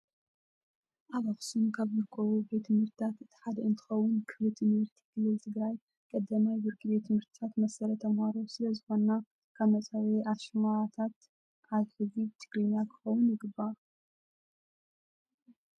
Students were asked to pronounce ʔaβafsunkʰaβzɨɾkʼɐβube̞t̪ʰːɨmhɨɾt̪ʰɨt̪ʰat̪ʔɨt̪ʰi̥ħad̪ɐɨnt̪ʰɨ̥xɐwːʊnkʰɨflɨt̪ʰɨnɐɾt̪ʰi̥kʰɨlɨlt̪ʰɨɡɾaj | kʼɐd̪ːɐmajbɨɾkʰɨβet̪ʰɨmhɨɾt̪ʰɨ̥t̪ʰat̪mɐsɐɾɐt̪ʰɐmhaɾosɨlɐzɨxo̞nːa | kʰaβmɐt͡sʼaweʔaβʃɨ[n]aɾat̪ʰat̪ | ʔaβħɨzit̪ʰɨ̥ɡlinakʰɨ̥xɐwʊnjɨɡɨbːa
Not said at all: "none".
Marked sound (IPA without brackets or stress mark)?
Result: m